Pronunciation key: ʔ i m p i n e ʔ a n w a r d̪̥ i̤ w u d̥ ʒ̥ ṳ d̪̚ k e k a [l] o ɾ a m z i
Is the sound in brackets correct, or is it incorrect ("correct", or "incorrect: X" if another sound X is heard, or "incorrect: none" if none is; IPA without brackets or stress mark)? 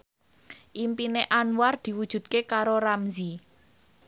incorrect: ɾ